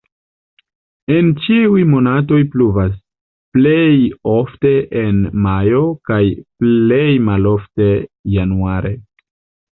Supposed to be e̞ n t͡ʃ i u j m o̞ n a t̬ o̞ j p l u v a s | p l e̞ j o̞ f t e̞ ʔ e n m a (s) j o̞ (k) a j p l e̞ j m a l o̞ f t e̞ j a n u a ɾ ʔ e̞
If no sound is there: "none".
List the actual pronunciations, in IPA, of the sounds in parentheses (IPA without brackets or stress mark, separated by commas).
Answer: none, k